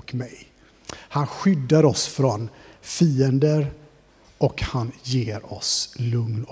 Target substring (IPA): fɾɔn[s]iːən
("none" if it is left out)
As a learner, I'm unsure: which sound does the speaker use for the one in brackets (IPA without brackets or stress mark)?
f